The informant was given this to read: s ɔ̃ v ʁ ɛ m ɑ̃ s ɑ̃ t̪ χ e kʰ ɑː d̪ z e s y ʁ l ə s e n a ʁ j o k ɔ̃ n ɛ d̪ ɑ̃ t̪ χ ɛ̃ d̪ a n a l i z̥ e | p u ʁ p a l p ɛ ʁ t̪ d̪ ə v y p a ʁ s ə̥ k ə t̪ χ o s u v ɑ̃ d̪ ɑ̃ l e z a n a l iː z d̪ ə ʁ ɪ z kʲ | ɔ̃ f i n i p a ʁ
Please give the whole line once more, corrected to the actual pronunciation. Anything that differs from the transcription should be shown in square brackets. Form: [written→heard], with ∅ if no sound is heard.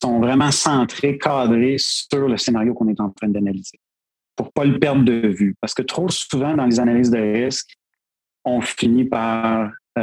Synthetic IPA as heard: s ɔ̃ v ʁ ɛ m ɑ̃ s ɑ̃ t̪ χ e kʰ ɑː d̪ [z→ʁ] e s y ʁ l ə s e n a ʁ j o k ɔ̃ n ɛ [d̪→t̪] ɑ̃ t̪ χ ɛ̃ d̪ a n a l i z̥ e | p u ʁ p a l p ɛ ʁ [t̪→d̪] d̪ ə v y p a ʁ s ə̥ k ə t̪ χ o s u v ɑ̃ d̪ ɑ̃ l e z a n a l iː z d̪ ə ʁ ɪ [z→s] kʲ | ɔ̃ f i n i p a ʁ